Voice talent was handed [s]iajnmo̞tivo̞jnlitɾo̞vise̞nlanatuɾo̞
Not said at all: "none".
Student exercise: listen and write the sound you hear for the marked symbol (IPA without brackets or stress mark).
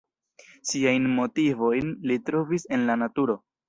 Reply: s